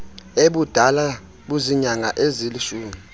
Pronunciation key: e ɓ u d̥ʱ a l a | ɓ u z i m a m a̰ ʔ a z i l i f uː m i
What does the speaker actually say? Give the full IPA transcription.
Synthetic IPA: e ɓ u d̥ʱ a l a | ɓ u z i ɲ a ŋ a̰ ʔ e z i l i ʃ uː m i

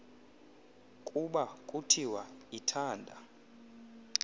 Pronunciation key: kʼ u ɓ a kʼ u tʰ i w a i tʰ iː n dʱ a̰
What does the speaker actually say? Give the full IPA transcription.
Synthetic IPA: kʼ u ɓ a kʼ u tʰ i w a i tʰ aː n dʱ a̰

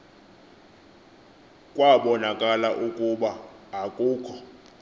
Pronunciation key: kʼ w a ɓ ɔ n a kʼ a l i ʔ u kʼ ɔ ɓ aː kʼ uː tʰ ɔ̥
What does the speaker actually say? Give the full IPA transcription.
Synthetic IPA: kʼ w a ɓ ɔ n a kʼ a l a ʔ u kʼ u ɓ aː kʼ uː kʰ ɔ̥

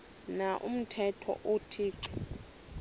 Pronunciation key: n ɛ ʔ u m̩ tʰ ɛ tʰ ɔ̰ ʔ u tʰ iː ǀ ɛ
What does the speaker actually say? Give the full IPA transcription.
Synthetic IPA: n a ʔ u m̩ tʰ ɛ tʰ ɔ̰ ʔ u tʰ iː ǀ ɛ

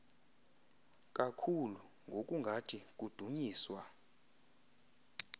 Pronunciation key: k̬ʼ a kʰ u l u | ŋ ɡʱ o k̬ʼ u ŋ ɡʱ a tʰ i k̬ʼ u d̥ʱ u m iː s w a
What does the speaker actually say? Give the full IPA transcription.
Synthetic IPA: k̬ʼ a kʰ u l u | ŋ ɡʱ o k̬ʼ u ŋ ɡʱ a tʰ i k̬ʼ u d̥ʱ u ɲ iː s w a

